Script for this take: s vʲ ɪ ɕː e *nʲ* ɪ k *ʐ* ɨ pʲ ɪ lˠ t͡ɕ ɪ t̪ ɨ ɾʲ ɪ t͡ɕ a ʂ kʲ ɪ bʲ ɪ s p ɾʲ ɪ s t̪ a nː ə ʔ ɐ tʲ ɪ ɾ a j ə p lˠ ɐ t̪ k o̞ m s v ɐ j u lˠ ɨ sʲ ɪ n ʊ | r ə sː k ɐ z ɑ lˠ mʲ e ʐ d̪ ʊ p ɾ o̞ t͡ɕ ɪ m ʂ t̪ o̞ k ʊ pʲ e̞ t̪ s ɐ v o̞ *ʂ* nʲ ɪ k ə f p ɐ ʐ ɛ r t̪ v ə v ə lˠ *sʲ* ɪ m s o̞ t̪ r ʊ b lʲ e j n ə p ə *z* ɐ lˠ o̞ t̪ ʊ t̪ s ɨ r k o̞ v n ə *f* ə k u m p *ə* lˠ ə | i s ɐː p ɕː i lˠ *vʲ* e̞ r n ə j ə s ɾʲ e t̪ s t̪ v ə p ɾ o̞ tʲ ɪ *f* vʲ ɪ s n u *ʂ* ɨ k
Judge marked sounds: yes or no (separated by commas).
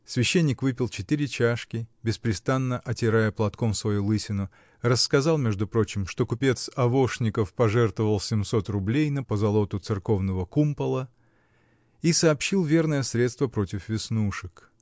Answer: no, no, yes, yes, yes, no, yes, yes, yes, yes